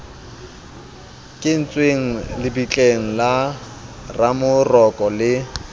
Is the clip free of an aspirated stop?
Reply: yes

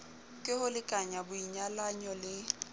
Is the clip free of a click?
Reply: yes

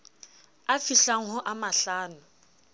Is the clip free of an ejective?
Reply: yes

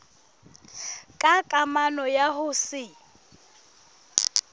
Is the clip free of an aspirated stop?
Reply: yes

